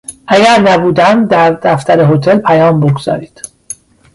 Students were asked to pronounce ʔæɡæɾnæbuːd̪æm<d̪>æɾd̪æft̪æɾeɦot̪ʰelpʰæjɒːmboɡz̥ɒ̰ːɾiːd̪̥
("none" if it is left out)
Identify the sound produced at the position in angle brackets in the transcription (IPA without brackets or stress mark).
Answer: d̪